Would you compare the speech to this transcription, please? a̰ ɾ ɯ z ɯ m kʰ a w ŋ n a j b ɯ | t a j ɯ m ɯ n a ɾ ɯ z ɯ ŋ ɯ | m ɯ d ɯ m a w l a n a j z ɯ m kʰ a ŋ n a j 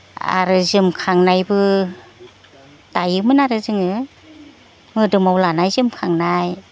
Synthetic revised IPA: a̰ ɾ ɯ z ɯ m kʰ a ŋ n a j b ɯ | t a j ɯ m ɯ n a ɾ ɯ z ɯ ŋ ɯ | m ɯ d ɯ m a w l a n a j z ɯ m kʰ a ŋ n a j

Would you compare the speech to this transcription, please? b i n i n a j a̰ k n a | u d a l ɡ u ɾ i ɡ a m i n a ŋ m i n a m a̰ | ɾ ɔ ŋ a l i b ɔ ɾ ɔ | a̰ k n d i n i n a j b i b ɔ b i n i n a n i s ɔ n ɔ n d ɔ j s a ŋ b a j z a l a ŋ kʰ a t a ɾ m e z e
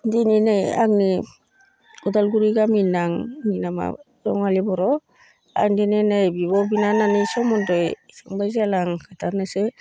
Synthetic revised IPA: d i n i n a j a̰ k n i | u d a l ɡ u ɾ i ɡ a m i n a ŋ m i n a m a̰ | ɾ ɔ ŋ a l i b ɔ ɾ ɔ | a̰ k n d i n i n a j b i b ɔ b i n a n a n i s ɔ m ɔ n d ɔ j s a ŋ b a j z a l a ŋ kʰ a t a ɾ n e s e

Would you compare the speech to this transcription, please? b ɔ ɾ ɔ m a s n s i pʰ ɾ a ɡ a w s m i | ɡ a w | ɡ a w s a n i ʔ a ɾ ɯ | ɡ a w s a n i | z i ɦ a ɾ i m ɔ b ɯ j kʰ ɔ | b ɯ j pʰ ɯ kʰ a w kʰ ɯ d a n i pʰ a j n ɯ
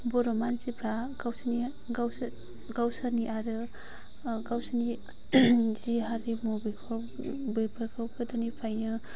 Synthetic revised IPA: b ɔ ɾ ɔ m a n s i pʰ ɾ a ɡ a w s n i | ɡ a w | ɡ a w s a n i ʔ a ɾ ɯ | ɡ a w s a n i | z i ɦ a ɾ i m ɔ b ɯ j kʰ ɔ | b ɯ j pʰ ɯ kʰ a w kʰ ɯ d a n i pʰ a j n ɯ

